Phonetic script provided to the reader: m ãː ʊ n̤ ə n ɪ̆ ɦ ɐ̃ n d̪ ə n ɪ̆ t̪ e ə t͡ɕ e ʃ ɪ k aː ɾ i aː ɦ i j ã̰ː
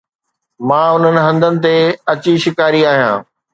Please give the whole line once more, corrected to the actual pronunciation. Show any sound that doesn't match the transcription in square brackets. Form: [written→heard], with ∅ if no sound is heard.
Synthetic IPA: m ãː ʊ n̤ ə n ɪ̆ ɦ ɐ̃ n d̪ ə n ɪ̆ t̪ e [ə→ɐ] t͡ɕ [e→i] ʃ ɪ k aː ɾ i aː ɦ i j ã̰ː

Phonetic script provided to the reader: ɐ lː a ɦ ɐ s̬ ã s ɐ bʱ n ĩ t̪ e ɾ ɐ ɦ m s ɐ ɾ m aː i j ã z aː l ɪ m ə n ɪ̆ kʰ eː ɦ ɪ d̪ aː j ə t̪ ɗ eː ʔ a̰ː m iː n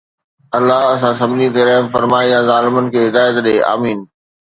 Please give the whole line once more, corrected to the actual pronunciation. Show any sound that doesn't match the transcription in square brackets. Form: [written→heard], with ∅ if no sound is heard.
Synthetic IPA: ɐ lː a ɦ ɐ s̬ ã s ɐ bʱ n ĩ t̪ e ɾ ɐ ɦ m [s→f] ɐ ɾ m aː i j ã z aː l ɪ m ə n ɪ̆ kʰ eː ɦ ɪ d̪ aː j ə t̪ ɗ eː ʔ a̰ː m iː n

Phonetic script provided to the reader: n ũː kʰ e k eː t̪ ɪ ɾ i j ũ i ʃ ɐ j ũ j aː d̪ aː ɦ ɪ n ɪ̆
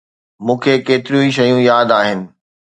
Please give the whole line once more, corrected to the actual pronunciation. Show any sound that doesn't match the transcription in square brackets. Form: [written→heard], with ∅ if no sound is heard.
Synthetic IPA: [n→m] ũː kʰ e k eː t̪ ɪ ɾ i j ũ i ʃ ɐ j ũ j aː d̪ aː ɦ ɪ n ɪ̆

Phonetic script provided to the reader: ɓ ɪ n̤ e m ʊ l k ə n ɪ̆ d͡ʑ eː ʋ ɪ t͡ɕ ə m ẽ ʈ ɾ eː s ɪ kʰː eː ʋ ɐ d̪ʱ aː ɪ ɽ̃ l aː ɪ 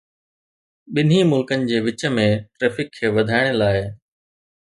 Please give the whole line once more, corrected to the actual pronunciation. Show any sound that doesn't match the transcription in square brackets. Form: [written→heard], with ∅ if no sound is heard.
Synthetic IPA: ɓ ɪ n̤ [e→i] m ʊ l k ə n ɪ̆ d͡ʑ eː ʋ ɪ t͡ɕ ə m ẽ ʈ ɾ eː [s→f] ɪ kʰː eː ʋ ɐ d̪ʱ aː ɪ ɽ̃ l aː ɪ

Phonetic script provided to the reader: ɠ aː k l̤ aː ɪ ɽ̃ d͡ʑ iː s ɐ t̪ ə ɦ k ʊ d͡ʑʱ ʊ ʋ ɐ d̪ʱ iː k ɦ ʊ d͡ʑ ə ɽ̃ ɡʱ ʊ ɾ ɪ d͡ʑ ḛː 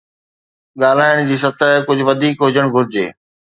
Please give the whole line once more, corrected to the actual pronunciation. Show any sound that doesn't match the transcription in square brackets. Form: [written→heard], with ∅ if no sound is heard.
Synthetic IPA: ɠ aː [k→∅] l̤ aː ɪ ɽ̃ d͡ʑ iː s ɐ t̪ ə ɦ k ʊ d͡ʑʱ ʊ ʋ ɐ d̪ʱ iː k ɦ ʊ d͡ʑ ə ɽ̃ ɡʱ ʊ ɾ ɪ d͡ʑ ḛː

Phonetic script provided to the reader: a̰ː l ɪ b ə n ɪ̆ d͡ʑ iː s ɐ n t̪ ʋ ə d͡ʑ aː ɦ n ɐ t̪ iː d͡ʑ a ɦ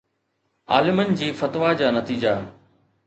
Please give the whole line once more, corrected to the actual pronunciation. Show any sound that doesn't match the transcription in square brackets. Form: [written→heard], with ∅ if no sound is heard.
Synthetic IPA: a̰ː l ɪ [b→m] ə n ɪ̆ d͡ʑ iː [s→f] ɐ [n→∅] t̪ ʋ [ə→a] d͡ʑ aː [ɦ→∅] n ɐ t̪ iː d͡ʑ a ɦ

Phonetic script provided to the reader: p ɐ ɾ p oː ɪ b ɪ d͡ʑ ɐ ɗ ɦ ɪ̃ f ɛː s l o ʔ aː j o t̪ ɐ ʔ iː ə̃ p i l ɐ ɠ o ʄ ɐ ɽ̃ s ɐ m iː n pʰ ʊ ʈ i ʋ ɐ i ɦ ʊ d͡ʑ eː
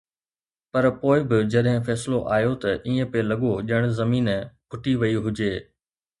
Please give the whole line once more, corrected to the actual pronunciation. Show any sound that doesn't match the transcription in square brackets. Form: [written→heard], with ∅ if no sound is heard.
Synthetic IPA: p ɐ ɾ p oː ɪ b ɪ d͡ʑ ɐ ɗ ɦ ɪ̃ f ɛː s l o ʔ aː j o t̪ ɐ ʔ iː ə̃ p [i→e] l ɐ ɠ o ʄ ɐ ɽ̃ [s→z] ɐ m iː n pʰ ʊ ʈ i ʋ ɐ i ɦ ʊ d͡ʑ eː

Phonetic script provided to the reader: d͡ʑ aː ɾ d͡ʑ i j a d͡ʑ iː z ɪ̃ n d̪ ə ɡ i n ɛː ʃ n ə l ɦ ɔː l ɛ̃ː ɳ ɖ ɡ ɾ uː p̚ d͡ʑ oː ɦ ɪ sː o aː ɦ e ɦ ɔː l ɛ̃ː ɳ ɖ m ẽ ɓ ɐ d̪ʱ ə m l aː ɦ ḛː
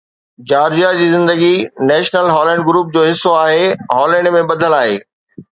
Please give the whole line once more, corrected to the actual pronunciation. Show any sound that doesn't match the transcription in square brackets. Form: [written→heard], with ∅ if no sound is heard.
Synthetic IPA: d͡ʑ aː ɾ d͡ʑ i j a d͡ʑ iː z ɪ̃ n d̪ ə ɡ i n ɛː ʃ n ə l ɦ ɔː l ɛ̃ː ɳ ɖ ɡ ɾ uː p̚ d͡ʑ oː ɦ ɪ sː o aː ɦ e ɦ ɔː l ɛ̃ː ɳ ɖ m ẽ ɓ ɐ d̪ʱ ə [m→∅] l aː ɦ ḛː

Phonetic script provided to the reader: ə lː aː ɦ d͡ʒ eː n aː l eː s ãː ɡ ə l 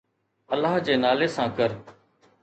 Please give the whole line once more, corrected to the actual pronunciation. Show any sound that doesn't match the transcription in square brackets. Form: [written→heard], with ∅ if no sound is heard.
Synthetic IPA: ə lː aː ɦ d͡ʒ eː n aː l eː s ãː [ɡ→k] ə [l→ɾ]

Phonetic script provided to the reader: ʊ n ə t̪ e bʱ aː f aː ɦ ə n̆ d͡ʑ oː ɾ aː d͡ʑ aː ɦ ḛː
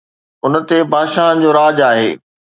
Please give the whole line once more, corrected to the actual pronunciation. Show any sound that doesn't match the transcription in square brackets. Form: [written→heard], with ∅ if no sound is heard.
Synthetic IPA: ʊ n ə t̪ e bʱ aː [f→ʃ] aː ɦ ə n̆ d͡ʑ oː ɾ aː d͡ʑ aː ɦ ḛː

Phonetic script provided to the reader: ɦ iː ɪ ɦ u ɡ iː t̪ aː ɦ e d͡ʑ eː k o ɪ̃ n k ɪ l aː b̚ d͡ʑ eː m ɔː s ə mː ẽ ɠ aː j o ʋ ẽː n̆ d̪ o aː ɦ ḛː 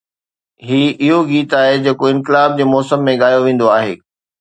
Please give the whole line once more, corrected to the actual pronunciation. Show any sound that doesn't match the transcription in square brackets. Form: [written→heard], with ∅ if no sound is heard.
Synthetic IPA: ɦ iː ɪ ɦ [u→o] ɡ iː t̪ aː ɦ e d͡ʑ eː k o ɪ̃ n k ɪ l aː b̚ d͡ʑ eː m ɔː s ə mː ẽ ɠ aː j o ʋ ẽː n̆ d̪ o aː ɦ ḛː

